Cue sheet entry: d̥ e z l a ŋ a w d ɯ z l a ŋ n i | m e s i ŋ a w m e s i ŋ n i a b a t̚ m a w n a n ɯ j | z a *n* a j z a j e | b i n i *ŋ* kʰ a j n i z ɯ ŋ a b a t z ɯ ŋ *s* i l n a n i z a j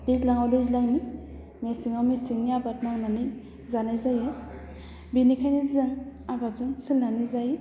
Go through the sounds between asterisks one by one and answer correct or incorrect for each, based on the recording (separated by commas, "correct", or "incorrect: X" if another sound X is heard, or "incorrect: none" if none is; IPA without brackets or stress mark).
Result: correct, incorrect: none, correct